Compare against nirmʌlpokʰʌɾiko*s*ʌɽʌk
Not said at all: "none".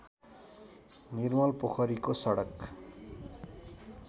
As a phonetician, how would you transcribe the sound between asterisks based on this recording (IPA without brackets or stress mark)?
s